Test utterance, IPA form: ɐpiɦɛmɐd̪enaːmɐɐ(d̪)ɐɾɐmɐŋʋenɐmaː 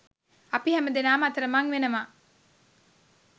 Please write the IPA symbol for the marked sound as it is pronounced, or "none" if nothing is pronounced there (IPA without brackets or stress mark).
t̪